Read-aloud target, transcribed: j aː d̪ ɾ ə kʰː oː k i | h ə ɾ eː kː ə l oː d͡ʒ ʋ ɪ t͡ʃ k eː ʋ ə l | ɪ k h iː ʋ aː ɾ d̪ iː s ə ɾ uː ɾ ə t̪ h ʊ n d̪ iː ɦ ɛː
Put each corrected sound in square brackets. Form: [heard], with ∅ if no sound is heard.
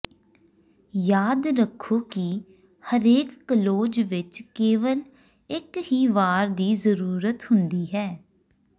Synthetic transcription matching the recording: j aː d̪ ɾ ə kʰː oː k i | h ə ɾ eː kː ə l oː d͡ʒ ʋ ɪ t͡ʃ k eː ʋ ə l | ɪ k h iː ʋ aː ɾ d̪ iː [z] ə ɾ uː ɾ ə t̪ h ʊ n d̪ iː ɦ ɛː